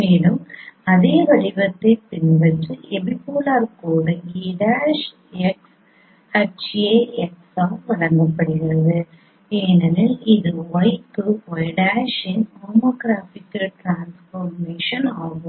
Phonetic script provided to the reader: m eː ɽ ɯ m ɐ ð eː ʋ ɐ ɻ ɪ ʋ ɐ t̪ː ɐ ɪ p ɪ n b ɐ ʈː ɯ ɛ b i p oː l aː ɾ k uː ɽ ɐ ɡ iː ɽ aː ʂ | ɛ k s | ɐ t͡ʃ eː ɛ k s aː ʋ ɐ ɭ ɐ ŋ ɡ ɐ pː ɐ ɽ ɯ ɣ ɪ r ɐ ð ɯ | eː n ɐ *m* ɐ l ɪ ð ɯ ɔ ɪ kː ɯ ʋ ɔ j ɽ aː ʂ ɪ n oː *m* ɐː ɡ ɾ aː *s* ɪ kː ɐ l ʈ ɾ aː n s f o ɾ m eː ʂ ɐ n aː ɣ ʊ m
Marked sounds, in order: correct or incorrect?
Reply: incorrect, correct, incorrect

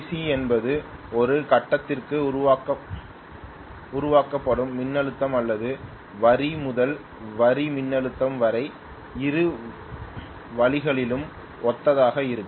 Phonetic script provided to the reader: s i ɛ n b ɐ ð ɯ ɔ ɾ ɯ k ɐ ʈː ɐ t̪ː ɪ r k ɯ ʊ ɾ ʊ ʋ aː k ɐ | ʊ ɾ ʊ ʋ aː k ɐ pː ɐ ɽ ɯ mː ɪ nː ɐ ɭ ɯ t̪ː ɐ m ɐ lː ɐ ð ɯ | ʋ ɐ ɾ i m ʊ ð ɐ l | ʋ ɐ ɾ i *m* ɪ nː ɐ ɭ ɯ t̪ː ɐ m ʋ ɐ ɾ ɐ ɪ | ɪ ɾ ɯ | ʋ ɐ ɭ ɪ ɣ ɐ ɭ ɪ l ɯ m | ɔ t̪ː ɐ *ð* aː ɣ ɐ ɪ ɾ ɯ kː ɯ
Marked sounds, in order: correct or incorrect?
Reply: correct, correct

